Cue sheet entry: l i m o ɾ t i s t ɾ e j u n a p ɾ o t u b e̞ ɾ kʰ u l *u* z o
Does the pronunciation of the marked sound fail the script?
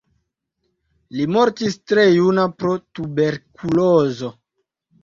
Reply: yes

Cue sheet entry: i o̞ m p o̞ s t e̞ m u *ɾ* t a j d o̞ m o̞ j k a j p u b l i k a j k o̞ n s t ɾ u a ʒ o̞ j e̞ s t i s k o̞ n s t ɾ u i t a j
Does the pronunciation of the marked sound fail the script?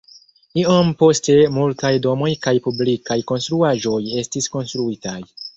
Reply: yes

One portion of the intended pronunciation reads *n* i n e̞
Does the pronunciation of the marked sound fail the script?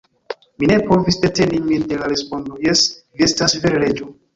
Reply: yes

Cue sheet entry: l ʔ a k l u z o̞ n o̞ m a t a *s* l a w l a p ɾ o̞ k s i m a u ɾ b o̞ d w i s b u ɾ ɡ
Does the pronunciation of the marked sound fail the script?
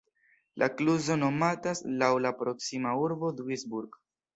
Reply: no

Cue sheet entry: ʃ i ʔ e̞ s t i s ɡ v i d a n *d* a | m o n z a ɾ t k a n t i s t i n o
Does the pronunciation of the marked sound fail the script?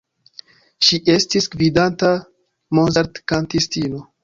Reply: yes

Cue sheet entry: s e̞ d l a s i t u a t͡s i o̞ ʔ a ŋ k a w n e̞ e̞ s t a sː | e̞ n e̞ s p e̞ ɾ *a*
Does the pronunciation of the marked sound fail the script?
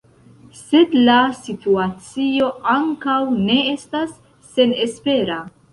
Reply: no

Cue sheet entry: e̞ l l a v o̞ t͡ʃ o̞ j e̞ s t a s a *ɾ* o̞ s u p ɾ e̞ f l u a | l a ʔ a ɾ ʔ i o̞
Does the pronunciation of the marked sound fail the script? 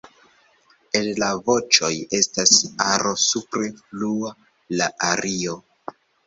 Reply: no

